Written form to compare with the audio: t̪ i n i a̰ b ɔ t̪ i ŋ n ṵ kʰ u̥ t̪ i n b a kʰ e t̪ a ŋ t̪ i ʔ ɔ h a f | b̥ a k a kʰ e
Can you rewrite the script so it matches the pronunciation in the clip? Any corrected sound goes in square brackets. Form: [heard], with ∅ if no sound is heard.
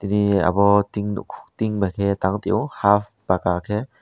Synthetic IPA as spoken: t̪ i n i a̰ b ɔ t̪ i ŋ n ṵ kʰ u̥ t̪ i [ŋ] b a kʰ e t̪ a ŋ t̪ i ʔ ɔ h a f | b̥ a k a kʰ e